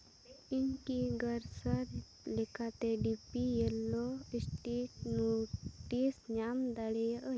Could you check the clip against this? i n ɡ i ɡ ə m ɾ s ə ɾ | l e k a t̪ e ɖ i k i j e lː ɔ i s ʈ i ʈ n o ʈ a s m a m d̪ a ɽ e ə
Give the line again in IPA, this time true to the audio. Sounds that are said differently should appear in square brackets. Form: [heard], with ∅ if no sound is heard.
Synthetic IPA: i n [k] i ɡ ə [∅] ɾ s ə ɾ | l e k a t̪ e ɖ i [p] i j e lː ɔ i s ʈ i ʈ n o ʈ [i] s [ɲ] a m d̪ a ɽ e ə